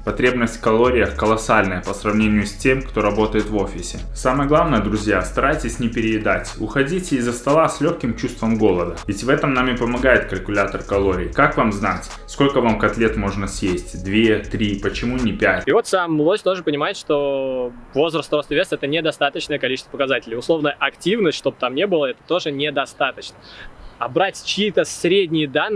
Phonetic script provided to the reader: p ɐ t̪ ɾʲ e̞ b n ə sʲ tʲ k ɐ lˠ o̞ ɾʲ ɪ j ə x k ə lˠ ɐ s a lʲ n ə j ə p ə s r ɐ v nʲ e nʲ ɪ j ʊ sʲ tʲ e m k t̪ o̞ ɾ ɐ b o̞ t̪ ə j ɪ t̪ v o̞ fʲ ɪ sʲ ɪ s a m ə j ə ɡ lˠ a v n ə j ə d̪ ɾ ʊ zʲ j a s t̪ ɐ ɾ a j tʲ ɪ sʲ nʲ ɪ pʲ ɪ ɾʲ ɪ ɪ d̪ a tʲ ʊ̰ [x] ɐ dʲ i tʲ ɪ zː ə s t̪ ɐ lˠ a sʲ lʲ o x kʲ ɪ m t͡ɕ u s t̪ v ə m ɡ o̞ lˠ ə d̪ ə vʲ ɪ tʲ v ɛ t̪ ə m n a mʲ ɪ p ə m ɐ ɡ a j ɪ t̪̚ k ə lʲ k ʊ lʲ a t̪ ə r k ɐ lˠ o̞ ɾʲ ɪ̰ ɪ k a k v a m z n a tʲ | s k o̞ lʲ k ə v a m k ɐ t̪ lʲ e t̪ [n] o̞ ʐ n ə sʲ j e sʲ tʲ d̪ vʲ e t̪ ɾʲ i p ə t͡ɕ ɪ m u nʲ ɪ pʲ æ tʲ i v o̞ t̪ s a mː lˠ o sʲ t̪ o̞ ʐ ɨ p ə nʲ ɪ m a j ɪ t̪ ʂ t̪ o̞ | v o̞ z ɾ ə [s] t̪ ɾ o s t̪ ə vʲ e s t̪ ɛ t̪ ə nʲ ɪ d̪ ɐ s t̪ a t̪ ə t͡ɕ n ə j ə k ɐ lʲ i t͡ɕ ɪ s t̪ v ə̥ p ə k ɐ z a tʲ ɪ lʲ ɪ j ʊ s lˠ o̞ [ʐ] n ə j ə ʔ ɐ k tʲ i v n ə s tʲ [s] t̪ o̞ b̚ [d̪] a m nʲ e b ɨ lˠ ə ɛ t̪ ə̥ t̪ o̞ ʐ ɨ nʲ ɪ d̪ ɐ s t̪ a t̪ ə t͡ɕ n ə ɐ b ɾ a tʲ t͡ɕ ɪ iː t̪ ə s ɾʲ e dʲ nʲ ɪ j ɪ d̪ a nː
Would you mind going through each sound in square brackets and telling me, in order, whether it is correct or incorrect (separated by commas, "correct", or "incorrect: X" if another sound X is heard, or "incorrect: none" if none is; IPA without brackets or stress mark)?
correct, incorrect: m, correct, incorrect: v, incorrect: ʂ, incorrect: t̪